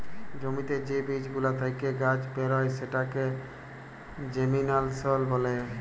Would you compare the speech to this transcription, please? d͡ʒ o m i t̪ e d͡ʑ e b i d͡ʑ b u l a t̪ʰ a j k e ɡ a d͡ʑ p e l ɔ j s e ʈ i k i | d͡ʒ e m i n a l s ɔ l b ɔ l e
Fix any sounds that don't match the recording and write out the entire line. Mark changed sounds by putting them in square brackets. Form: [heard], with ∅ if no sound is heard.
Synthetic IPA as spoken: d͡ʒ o m i t̪ e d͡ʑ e b i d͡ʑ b u l a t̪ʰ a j k e ɡ a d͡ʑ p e [ɾ] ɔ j s e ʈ [a] k [e] | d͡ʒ e m i n a l s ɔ l b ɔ l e